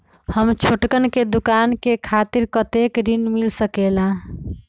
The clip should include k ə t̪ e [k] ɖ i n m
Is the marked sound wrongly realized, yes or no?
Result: no